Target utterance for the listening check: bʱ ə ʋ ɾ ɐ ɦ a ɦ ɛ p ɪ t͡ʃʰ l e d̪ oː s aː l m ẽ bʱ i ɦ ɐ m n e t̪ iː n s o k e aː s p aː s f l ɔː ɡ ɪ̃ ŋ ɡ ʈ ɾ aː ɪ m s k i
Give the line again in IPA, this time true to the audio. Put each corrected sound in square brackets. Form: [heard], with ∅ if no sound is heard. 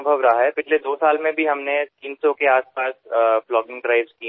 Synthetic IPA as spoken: bʱ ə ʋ ɾ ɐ ɦ a ɦ ɛ p ɪ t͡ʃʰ l e d̪ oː s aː l m ẽ bʱ i ɦ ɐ m n e t̪ iː n s o k e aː s p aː s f l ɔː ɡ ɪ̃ ŋ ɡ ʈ ɾ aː ɪ [b] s k i

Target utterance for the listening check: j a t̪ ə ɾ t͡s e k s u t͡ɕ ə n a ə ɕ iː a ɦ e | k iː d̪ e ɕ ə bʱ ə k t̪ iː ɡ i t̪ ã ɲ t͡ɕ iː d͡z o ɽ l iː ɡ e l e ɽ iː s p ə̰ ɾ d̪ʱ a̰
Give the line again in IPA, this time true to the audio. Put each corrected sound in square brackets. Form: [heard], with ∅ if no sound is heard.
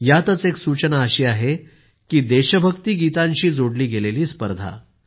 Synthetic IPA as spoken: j a t̪ ə [∅] t͡s e k s u t͡ɕ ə n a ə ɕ iː a ɦ e | k iː d̪ e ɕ ə bʱ ə k t̪ iː ɡ i t̪ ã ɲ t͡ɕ iː d͡z o ɽ l iː ɡ e l e [l] iː s p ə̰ ɾ d̪ʱ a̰

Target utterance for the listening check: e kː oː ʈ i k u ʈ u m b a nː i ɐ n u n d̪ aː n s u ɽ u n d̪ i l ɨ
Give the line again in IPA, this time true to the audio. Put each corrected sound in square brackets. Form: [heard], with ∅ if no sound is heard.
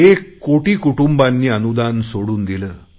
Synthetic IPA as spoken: e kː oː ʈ i k u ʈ u m b a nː i ɐ n u [∅] d̪ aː n s [o] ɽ u n d̪ i l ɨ

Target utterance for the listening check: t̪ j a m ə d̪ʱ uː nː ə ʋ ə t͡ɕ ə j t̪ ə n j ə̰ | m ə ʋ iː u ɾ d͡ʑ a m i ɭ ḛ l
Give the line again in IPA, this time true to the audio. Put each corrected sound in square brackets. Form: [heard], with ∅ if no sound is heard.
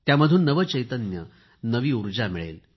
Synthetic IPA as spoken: t̪ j a m ə d̪ʱ uː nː ə ʋ ə t͡ɕ ə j t̪ ə n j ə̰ | [n] ə ʋ iː u ɾ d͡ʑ a m i ɭ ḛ l

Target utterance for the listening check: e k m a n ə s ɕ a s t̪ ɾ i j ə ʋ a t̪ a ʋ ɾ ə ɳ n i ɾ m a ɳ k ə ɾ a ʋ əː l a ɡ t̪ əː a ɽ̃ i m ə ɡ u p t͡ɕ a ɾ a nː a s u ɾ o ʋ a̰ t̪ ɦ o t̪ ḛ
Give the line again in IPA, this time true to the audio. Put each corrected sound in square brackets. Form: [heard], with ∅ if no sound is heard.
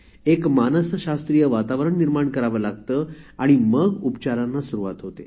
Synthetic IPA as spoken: e k m a n ə s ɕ a s t̪ ɾ i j ə ʋ a t̪ a ʋ ɾ ə ɳ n i ɾ m a ɳ k ə ɾ a ʋ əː l a ɡ t̪ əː a ɽ̃ i m ə ɡ u p t͡ɕ a ɾ a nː a s u ɾ [u] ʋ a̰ t̪ ɦ o t̪ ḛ

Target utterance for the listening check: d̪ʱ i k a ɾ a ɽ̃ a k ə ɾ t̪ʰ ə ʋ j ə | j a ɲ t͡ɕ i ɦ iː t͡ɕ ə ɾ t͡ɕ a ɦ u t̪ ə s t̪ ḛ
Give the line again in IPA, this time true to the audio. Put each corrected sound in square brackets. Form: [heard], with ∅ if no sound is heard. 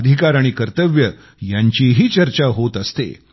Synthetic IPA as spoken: d̪ʱ i k a ɾ a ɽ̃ [i] k ə ɾ [t̪] ə ʋ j ə | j a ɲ t͡ɕ i ɦ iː t͡ɕ ə ɾ t͡ɕ a ɦ [o] t̪ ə s t̪ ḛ

